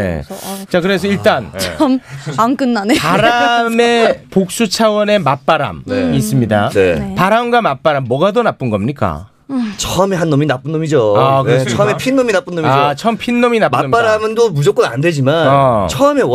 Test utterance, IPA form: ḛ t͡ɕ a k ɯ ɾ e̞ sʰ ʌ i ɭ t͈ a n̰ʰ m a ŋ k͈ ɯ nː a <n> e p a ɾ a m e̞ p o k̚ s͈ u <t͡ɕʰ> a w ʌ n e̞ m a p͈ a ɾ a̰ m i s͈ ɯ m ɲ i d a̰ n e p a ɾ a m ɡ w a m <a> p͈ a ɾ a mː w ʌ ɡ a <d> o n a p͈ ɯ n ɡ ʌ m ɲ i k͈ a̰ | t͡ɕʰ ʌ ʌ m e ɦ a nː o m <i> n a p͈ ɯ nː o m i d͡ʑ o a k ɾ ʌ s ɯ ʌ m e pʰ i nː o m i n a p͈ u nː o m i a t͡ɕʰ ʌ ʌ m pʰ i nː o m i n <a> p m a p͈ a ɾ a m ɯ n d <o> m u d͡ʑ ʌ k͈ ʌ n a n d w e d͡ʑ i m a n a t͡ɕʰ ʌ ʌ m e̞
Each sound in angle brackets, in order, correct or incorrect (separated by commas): correct, correct, correct, correct, correct, correct, correct